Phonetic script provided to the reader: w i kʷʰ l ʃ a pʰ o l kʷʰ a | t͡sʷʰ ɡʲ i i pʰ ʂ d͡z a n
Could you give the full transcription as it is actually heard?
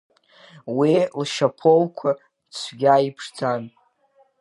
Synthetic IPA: w i l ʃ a pʰ o l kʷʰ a | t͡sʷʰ ɡʲ a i pʰ ʂ d͡z a n